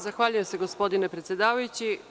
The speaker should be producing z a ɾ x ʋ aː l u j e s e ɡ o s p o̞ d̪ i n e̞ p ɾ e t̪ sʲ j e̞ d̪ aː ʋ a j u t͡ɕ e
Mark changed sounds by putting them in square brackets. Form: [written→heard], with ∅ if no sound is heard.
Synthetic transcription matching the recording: z a [ɾ→∅] x ʋ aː [l→ʎ] u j e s e ɡ o s p o̞ d̪ i n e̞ p ɾ e t̪ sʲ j e̞ d̪ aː ʋ a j u t͡ɕ [e→i]